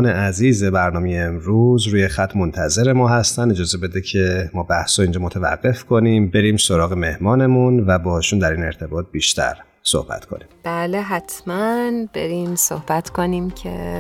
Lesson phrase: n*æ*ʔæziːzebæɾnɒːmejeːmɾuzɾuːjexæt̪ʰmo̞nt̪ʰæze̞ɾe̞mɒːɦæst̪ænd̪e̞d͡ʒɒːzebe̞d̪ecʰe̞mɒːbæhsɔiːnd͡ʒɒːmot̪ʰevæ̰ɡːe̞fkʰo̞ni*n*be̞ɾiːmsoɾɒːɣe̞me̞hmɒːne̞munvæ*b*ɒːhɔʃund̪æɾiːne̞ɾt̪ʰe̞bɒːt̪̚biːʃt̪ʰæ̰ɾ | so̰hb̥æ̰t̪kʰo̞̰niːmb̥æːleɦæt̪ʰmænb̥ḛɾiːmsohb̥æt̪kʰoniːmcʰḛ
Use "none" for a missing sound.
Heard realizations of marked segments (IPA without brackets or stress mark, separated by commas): e, m, b